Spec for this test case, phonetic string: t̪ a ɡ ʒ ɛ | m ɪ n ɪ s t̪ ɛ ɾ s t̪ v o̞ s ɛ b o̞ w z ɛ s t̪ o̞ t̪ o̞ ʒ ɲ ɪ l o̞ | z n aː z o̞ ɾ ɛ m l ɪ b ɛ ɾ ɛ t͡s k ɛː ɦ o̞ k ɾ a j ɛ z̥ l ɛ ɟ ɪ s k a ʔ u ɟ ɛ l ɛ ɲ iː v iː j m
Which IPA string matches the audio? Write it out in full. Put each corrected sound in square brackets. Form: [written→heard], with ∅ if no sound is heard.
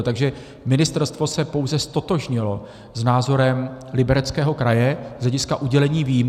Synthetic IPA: t̪ a ɡ ʒ ɛ | m ɪ n ɪ s t̪ ɛ ɾ s t̪ v o̞ s ɛ [b→p] o̞ w z ɛ s t̪ o̞ t̪ o̞ ʒ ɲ ɪ l o̞ | z n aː z o̞ ɾ ɛ m l ɪ b ɛ ɾ ɛ t͡s k ɛː ɦ o̞ k ɾ a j ɛ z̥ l ɛ ɟ ɪ s k a ʔ u ɟ ɛ l ɛ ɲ iː v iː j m